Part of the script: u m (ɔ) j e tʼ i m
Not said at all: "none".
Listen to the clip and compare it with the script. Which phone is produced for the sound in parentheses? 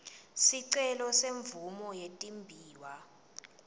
ɔ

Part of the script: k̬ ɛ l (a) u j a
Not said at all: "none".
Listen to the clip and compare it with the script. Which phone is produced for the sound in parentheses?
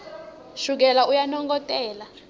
a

